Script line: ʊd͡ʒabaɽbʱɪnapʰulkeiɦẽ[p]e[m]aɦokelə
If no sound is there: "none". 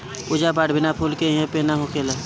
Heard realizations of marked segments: p, n

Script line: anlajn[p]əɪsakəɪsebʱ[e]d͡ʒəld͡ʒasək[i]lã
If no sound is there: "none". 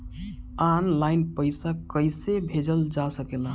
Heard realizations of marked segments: p, e, e

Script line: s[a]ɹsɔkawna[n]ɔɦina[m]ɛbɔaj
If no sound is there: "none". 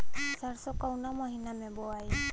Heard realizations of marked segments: a, m, m

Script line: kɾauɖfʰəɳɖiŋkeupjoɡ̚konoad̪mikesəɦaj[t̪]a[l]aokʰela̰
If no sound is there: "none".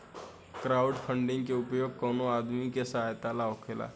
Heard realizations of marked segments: t̪, l

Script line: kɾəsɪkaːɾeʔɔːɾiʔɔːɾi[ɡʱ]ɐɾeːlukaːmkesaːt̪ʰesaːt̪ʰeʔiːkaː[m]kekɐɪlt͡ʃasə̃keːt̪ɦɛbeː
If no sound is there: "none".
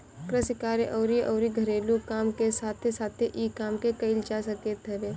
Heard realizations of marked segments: ɡʱ, m

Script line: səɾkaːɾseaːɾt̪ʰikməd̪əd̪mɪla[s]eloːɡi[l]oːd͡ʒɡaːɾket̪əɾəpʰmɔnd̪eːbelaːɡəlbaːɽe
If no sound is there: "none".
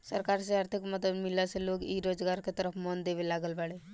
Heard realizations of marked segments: s, ɾ

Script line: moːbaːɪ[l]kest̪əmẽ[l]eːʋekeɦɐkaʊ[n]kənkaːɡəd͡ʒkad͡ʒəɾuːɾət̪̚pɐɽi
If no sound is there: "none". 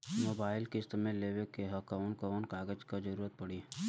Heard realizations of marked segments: l, l, n

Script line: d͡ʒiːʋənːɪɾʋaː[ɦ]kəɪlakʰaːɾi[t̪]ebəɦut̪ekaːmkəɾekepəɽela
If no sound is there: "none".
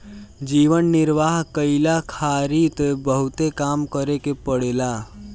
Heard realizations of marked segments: ɦ, t̪

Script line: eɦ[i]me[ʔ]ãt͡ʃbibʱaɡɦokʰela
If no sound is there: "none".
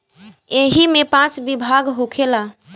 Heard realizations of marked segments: i, p

